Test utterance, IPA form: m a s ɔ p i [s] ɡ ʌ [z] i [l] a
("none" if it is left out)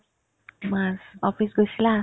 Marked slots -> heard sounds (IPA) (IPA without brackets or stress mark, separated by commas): s, s, l